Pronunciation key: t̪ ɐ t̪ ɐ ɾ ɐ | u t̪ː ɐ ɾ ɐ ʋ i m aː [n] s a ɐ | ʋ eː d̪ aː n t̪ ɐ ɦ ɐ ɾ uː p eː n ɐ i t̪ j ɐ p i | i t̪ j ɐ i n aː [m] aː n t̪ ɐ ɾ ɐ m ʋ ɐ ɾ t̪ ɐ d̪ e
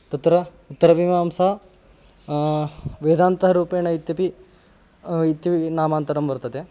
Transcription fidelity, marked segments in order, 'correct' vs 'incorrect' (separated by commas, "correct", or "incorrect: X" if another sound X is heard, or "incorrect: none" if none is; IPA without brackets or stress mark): incorrect: m, correct